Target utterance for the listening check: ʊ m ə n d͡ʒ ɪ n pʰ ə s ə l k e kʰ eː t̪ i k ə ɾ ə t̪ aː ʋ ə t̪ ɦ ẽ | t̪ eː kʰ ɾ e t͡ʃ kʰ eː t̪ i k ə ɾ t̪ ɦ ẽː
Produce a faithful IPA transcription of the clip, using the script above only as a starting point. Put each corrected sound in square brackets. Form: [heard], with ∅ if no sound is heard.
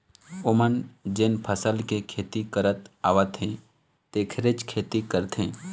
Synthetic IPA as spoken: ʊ m ə n d͡ʒ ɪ n pʰ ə s ə l k e kʰ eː t̪ i k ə ɾ ə t̪ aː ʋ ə t̪ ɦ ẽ | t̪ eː kʰ ɾ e t͡ʃ kʰ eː t̪ i k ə ɾ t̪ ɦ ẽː